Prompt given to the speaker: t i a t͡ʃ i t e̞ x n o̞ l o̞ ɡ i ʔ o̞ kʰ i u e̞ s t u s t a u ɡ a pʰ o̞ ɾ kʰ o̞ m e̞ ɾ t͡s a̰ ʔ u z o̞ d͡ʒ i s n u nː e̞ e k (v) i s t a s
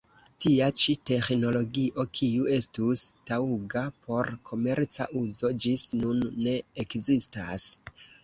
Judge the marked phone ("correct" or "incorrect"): incorrect